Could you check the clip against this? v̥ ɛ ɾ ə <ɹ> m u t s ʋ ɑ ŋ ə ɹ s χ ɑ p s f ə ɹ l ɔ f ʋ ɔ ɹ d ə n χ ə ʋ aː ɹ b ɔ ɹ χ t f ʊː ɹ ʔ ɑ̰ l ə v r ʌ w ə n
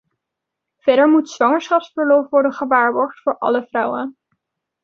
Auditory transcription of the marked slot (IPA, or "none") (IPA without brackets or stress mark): ɹ